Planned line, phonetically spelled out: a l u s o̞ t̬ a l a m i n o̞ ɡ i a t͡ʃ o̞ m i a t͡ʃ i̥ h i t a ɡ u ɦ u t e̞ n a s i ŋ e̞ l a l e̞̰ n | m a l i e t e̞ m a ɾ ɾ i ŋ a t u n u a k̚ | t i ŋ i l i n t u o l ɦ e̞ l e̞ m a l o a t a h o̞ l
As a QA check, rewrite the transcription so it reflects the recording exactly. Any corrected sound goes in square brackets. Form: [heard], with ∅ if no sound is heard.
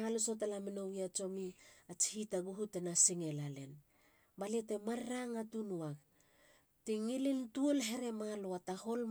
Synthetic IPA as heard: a l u s o̞ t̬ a l a m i n o̞ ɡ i a t͡ʃ o̞ m i a t͡ʃ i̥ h i t a ɡ u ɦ u t e̞ n a s i ŋ e̞ l a l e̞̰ n | [b] a l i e t e̞ m a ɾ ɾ [a] ŋ a t u n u a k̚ | t i ŋ i l i n t u o l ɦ e̞ [ɾ] e̞ m a l o a t a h o̞ l